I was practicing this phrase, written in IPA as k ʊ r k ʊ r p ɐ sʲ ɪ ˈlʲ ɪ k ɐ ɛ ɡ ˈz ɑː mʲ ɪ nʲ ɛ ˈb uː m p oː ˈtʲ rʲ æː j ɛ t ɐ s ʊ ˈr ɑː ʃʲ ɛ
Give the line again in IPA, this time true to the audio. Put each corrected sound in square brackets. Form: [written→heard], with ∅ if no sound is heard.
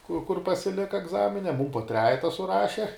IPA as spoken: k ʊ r k ʊ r p ɐ sʲ ɪ ˈlʲ ɪ k ɐ ɛ ɡ ˈz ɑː mʲ ɪ nʲ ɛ [ˈb→ˈm] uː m p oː ˈtʲ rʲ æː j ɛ t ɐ s ʊ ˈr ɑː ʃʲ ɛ